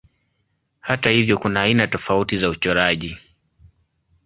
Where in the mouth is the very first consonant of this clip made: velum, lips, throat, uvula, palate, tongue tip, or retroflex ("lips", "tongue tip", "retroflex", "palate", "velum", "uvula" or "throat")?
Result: throat